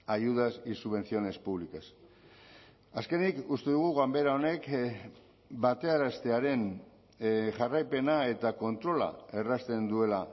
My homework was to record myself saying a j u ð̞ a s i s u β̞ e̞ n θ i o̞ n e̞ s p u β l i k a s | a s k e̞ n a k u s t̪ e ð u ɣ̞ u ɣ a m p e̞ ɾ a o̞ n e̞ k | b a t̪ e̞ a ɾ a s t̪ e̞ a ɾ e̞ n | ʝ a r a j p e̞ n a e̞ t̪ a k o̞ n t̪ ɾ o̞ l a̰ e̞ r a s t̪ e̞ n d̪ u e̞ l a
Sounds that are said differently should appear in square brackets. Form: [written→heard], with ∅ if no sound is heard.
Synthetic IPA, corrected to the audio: a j u ð̞ a s i s u β̞ e̞ n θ i o̞ n e̞ s p u β l i k a s | a s k e̞ n [a→i] k u s t̪ e ð u ɣ̞ u ɣ a m [p→b] e̞ ɾ a o̞ n e̞ k | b a t̪ e̞ a ɾ a s t̪ e̞ a ɾ e̞ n | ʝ a r a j p e̞ n a e̞ t̪ a k o̞ n t̪ ɾ o̞ l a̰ e̞ r a s t̪ e̞ n d̪ u e̞ l a

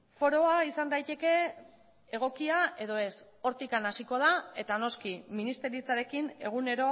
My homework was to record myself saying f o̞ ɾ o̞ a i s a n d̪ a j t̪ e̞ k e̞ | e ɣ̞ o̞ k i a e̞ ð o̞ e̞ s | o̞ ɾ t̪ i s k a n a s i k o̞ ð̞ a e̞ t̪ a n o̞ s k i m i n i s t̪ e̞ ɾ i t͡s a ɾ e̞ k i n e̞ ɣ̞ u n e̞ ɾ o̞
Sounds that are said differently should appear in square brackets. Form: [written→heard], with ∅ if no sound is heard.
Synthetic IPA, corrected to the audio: f o̞ ɾ o̞ a i s a n d̪ a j t̪ e̞ k e̞ | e ɣ̞ o̞ k i a e̞ ð o̞ e̞ s | o̞ ɾ t̪ i [s→∅] k a n a s i k o̞ ð̞ a e̞ t̪ a n o̞ s k i m i n i s t̪ e̞ ɾ i t͡s a ɾ e̞ k i n e̞ ɣ̞ u n e̞ ɾ o̞

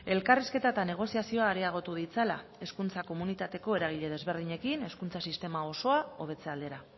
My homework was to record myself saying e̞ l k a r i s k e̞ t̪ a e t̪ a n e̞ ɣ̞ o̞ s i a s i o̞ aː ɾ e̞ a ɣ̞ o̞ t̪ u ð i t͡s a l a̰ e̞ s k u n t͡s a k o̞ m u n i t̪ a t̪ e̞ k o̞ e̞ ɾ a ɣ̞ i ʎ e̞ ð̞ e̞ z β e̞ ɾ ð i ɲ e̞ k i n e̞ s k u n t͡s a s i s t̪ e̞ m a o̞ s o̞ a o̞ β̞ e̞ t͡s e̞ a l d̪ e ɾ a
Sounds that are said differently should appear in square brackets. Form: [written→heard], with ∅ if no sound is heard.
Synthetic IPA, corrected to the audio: e̞ l k a r i s k e̞ t̪ a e t̪ a n e̞ ɣ̞ o̞ s i a s i o̞ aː ɾ e̞ a ɣ̞ o̞ t̪ u ð i t͡s a l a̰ e̞ s k u n t͡s a k o̞ m u n i t̪ a t̪ e̞ k o̞ e̞ ɾ a ɣ̞ i ʎ e̞ ð̞ e̞ z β e̞ ɾ ð i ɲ e̞ k i n e̞ s k u n t͡s a s i s t̪ e̞ m a o̞ s o̞ a o̞ β̞ e̞ t͡s e̞ a l d̪ e ɾ a

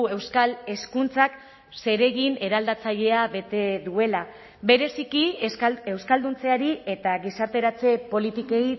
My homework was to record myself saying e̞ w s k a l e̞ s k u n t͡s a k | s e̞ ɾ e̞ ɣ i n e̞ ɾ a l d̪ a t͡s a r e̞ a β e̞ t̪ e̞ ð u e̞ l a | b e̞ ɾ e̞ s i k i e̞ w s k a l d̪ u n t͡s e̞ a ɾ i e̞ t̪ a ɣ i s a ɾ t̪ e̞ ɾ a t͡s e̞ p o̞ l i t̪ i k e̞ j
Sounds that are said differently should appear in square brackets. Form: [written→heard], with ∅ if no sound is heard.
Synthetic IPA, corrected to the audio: e̞ w s k a l e̞ s k u n t͡s a k | s e̞ ɾ e̞ ɣ i n e̞ ɾ a l d̪ a t͡s a [r→ʎ] e̞ a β e̞ t̪ e̞ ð u e̞ l a | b e̞ ɾ e̞ s i k i e̞ w s k a l d̪ u n t͡s e̞ a ɾ i e̞ t̪ a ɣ i s a ɾ t̪ e̞ ɾ a t͡s e̞ p o̞ l i t̪ i k e̞ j

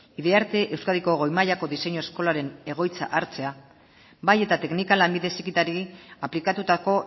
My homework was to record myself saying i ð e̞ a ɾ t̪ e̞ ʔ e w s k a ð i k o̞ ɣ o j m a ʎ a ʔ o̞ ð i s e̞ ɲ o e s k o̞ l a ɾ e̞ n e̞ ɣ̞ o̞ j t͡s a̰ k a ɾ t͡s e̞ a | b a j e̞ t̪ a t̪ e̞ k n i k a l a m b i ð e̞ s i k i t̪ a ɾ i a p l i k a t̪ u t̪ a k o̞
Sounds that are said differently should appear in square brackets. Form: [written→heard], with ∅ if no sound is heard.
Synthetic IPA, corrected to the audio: i ð e̞ a ɾ t̪ e̞ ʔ e w s k a ð i k o̞ ɣ o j m a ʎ a [ʔ→k] o̞ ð i s e̞ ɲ o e s k o̞ l a ɾ e̞ n e̞ ɣ̞ o̞ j t͡s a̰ [k→ʔ] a ɾ t͡s e̞ a | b a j e̞ t̪ a t̪ e̞ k n i k a l a m b i ð e̞ s i k i t̪ a ɾ i a p l i k a t̪ u t̪ a k o̞

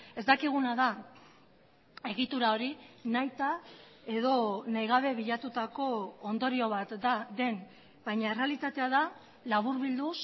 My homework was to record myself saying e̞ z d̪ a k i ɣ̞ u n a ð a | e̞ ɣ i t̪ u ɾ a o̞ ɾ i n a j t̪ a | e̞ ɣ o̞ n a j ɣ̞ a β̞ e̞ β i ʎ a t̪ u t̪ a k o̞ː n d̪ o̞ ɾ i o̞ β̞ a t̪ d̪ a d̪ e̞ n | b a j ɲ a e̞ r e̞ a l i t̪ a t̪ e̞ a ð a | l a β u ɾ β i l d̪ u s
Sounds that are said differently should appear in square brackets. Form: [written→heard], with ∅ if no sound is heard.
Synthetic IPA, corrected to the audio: e̞ z d̪ a k i ɣ̞ u n a ð a | e̞ ɣ i t̪ u ɾ a o̞ ɾ i n a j t̪ a | e̞ [ɣ→ð] o̞ n a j ɣ̞ a β̞ e̞ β i ʎ a t̪ u t̪ a k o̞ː n d̪ o̞ ɾ i o̞ β̞ a t̪ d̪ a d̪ e̞ n | b a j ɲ a e̞ r e̞ a l i t̪ a t̪ e̞ a ð a | l a β u ɾ β i l d̪ u s

